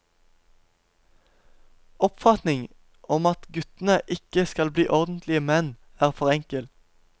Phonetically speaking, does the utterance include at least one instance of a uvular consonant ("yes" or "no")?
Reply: yes